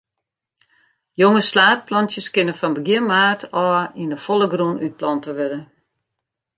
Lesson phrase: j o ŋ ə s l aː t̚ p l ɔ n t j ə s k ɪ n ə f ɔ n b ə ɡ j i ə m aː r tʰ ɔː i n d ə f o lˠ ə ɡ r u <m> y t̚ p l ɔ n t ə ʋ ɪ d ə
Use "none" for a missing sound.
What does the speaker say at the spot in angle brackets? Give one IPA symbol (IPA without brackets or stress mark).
n